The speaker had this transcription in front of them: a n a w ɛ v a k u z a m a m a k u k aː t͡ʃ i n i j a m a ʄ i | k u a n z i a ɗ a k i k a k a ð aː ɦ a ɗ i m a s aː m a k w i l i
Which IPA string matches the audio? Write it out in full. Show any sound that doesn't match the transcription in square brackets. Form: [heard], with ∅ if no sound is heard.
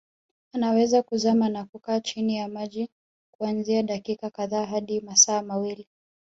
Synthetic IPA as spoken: a n a w ɛ [z] a k u z a m a [n] a k u k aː t͡ʃ i n i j a m a ʄ i | k u a n z i a ɗ a k i k a k a ð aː ɦ a ɗ i m a s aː m a [∅] w i l i